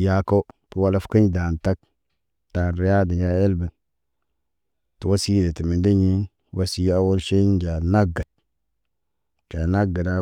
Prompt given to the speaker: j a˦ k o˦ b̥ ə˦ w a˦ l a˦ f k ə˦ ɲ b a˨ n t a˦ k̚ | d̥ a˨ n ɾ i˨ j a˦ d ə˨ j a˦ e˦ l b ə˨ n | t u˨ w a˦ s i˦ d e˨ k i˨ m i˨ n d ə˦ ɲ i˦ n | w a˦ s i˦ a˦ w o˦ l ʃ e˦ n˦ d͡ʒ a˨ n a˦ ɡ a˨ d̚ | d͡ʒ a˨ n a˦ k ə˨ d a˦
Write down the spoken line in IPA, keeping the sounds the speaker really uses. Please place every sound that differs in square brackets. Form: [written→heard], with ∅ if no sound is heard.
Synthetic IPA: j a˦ k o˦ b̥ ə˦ w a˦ l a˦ f k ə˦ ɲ [b→d] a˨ n t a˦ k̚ | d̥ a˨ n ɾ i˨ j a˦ d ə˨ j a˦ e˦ l b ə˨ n | t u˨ w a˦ s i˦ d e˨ [k→t] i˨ m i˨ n d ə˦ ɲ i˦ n | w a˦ s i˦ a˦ w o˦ l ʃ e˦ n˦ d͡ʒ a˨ n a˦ ɡ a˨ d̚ | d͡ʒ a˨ n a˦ [k→ɡ] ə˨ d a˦